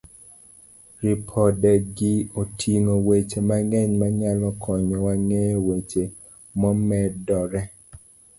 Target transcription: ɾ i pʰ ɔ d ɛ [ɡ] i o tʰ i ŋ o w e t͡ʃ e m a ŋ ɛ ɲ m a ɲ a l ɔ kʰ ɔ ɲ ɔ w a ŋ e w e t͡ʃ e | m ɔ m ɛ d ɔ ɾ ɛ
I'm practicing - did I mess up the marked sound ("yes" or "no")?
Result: no